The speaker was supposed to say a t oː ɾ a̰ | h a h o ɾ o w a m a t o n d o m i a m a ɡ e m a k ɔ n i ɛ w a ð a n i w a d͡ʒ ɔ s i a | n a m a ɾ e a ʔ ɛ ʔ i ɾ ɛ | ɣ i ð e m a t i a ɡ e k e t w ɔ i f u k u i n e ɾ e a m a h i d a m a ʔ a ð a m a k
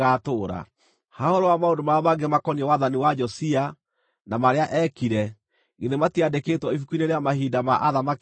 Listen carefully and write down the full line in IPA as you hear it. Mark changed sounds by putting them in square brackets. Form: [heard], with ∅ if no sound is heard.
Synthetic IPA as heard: a t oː ɾ a̰ | h a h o ɾ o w a m a [∅] o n d o m [a] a m a ɡ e m a k ɔ n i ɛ w a ð a n i w a d͡ʒ ɔ s i a | n a m a ɾ e a ʔ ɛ [k] i ɾ ɛ | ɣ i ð e m a t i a [d] e k e t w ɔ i f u k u i n e ɾ e a m a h i d a m a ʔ a ð a m a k